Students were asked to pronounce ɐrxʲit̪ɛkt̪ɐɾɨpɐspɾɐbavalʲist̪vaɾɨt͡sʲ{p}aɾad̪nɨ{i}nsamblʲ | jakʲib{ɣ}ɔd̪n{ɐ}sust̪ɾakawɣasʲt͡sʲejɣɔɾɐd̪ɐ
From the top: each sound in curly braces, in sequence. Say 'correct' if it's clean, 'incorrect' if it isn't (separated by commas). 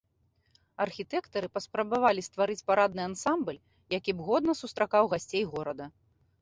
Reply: correct, incorrect, correct, correct